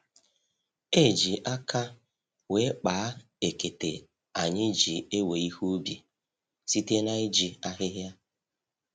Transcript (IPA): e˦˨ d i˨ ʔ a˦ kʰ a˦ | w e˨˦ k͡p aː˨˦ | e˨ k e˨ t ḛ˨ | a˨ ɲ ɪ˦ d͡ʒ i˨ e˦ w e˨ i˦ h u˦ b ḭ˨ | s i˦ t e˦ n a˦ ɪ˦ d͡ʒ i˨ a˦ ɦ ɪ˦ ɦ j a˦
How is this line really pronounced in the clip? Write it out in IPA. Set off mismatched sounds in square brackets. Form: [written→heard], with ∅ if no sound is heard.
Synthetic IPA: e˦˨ [d→d͡ʒ] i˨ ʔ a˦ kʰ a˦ | w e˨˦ k͡p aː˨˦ | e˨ k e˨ t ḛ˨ | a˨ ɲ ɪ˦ d͡ʒ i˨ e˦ w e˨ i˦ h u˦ b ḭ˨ | s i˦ t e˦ n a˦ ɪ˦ d͡ʒ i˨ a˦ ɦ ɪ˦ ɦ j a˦